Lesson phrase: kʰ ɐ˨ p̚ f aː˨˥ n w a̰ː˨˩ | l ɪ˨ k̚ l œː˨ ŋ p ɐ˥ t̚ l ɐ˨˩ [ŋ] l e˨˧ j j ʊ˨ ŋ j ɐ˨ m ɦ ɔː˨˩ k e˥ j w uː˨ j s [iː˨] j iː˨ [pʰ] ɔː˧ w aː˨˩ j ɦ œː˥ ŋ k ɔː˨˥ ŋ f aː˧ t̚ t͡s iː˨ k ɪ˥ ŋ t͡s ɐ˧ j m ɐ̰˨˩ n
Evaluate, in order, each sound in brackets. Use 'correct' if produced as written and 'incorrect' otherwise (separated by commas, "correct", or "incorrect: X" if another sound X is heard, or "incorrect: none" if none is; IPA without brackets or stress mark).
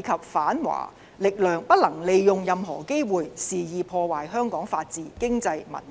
correct, correct, correct